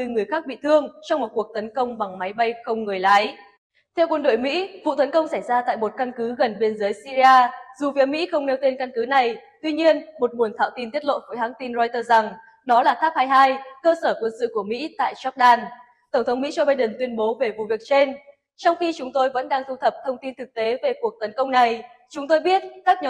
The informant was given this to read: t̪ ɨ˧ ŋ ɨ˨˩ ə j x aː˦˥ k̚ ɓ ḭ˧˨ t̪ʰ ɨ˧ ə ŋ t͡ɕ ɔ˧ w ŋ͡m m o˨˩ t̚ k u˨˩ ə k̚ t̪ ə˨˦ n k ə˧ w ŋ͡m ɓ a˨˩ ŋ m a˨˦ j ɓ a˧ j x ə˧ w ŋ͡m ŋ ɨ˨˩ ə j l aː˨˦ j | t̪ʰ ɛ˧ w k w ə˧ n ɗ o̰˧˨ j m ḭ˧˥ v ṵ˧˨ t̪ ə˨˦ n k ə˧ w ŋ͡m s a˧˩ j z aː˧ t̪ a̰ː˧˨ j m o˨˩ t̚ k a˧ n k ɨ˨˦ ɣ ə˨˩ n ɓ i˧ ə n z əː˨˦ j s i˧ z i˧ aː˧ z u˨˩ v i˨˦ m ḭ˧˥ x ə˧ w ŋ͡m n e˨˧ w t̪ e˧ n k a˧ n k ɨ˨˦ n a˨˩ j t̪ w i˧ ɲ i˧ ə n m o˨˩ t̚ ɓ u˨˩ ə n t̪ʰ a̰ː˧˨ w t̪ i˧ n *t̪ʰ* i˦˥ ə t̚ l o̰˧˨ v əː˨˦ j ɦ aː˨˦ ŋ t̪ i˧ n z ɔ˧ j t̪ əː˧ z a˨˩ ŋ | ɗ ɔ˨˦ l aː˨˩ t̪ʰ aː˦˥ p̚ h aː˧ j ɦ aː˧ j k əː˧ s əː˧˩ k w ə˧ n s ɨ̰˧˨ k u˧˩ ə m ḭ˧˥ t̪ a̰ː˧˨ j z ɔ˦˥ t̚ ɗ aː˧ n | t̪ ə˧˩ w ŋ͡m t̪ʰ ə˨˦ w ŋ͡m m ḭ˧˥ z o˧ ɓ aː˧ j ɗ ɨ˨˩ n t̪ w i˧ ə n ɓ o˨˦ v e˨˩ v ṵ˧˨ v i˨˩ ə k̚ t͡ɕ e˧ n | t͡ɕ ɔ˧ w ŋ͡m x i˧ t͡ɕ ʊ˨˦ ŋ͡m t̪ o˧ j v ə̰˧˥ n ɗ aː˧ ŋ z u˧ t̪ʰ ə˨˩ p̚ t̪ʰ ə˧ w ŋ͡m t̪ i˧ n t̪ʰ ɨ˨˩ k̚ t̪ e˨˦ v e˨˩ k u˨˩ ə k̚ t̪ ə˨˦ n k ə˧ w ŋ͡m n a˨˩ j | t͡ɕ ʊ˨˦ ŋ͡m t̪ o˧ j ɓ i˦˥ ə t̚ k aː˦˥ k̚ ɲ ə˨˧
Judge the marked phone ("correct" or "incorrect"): incorrect